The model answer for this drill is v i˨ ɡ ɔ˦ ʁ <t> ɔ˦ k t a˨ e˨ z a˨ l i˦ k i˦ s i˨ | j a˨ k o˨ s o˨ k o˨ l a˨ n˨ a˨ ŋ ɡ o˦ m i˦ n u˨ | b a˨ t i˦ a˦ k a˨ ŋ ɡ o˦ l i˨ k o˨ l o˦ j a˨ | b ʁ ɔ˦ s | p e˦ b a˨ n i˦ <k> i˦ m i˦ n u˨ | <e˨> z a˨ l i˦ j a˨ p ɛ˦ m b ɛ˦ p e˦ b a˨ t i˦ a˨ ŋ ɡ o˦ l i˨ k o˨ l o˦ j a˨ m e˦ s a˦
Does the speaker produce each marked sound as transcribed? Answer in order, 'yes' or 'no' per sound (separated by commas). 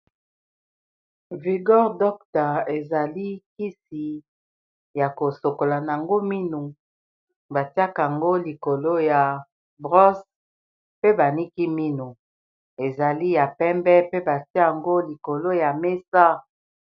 no, yes, yes